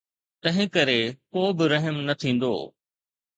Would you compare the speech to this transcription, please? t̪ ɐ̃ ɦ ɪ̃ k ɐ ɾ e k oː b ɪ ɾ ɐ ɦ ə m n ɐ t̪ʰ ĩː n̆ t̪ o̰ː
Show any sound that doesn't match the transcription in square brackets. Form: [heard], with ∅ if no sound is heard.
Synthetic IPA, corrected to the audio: t̪ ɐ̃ ɦ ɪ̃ k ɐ ɾ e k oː b ɪ ɾ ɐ ɦ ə m n ɐ t̪ʰ ĩː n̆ [d̪] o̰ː